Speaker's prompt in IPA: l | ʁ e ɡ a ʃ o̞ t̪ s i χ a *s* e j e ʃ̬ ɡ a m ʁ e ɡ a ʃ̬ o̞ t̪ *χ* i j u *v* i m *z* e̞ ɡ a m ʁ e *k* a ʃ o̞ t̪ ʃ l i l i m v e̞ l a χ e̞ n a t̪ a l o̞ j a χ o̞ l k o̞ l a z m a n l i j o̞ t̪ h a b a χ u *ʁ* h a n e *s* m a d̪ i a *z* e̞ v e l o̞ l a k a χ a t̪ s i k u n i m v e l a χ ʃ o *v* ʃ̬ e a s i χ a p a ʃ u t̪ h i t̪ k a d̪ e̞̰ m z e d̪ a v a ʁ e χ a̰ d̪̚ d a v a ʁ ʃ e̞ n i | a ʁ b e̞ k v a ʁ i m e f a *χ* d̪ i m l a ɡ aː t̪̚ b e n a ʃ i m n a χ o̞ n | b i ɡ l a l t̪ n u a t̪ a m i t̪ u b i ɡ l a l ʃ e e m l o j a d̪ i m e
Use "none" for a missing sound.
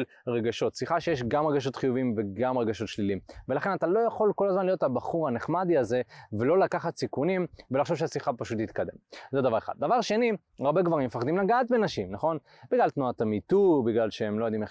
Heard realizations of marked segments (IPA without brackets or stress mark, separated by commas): ʃ, χ, v, v, ɡ, ʁ, χ, z, v, χ